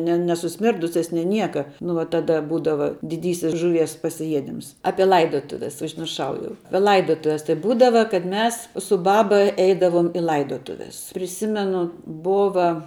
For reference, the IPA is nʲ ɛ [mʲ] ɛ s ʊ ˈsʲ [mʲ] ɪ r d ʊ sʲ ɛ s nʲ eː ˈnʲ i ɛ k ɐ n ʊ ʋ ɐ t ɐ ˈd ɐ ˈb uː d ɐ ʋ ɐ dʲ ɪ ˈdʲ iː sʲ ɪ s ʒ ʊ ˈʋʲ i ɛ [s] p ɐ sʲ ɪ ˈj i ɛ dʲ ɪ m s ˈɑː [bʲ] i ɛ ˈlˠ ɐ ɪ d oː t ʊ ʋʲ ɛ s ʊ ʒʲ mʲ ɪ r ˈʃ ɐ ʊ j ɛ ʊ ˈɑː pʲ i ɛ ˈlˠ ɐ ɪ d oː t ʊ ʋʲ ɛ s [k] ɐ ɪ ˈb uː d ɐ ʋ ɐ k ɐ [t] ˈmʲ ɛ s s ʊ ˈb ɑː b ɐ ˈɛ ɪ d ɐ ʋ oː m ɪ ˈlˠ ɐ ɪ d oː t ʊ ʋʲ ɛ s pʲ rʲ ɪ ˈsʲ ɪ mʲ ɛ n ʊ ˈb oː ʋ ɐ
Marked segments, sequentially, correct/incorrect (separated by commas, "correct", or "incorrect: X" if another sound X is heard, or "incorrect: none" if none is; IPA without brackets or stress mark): incorrect: nʲ, correct, correct, incorrect: pʲ, incorrect: t, correct